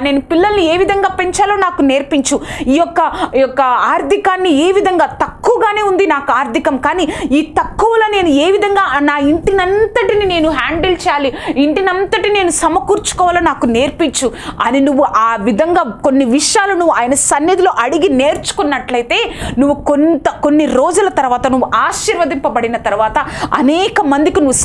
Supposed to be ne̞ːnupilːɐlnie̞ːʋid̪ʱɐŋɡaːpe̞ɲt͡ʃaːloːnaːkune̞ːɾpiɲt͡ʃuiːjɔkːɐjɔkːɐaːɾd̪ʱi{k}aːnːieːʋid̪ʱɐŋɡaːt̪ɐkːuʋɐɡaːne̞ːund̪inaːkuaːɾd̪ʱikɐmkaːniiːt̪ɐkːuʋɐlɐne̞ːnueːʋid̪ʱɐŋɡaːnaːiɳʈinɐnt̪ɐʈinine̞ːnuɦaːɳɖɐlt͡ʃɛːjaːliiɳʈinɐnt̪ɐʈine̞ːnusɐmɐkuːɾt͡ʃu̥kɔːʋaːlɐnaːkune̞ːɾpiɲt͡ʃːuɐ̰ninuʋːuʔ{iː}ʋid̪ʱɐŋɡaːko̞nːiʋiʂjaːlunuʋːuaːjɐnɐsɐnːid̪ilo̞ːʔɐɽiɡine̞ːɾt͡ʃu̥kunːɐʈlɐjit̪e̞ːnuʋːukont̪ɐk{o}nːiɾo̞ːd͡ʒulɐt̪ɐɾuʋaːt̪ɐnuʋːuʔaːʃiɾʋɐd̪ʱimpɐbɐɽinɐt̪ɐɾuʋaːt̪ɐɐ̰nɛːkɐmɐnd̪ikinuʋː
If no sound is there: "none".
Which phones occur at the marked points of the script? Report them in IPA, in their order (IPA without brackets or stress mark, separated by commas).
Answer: k, aː, o